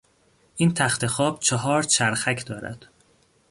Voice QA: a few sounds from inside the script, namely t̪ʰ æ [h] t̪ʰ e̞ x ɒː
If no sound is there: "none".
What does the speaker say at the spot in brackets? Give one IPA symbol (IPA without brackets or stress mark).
x